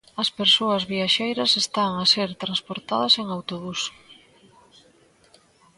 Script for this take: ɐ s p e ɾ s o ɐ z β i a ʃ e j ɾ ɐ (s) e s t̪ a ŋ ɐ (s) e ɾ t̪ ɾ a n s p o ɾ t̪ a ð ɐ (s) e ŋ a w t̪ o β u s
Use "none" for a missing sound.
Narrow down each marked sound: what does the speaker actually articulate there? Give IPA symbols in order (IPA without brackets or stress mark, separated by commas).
s, s, s